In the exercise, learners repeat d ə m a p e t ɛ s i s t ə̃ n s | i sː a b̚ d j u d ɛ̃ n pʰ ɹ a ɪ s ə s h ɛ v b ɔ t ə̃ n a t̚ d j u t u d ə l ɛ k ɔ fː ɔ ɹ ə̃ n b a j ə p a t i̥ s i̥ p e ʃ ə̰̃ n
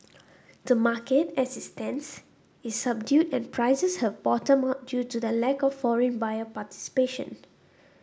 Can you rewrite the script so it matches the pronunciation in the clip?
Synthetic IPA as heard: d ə m a k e t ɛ s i s t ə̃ n s | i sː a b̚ d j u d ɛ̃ n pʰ ɹ a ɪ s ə s h ɛ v b ɔ t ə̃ m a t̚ d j u t u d ə l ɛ k ɔ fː ɔ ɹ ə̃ n b a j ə p a t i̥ s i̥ p e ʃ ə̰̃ n